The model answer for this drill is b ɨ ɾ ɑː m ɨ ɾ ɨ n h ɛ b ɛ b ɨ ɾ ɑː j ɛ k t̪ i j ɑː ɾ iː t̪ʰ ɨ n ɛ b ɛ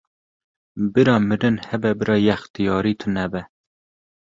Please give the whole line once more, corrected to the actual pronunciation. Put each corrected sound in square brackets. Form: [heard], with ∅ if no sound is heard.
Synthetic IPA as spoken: b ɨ ɾ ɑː m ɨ ɾ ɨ n h ɛ b ɛ b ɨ ɾ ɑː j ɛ [x] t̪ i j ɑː ɾ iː t̪ʰ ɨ n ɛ b ɛ